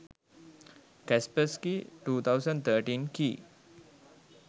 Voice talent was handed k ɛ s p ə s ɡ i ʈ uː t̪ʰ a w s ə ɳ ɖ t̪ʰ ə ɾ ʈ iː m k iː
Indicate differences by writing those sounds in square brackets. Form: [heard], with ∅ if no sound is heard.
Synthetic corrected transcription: k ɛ s p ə s [k] i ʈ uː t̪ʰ a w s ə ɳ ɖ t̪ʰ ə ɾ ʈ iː [n] k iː